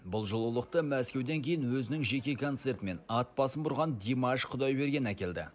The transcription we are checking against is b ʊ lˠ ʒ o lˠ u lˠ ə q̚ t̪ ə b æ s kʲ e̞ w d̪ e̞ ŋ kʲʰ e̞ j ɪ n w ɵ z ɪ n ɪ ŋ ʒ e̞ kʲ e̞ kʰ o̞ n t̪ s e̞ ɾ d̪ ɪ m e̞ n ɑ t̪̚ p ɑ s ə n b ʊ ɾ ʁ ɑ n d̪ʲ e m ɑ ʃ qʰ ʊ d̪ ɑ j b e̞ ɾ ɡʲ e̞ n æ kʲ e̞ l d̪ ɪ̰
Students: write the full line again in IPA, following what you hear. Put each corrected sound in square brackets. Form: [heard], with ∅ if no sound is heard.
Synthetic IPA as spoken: b ʊ lˠ ʒ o lˠ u lˠ ə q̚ t̪ ə [m] æ s kʲ e̞ w d̪ e̞ ŋ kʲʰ e̞ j ɪ n w ɵ z ɪ n ɪ ŋ ʒ e̞ kʲ e̞ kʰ o̞ n t̪ s e̞ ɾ [t̪] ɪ m e̞ n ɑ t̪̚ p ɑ s ə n b ʊ ɾ ʁ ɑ n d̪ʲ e m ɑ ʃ qʰ ʊ d̪ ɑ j b e̞ ɾ ɡʲ e̞ n æ kʲ e̞ l d̪ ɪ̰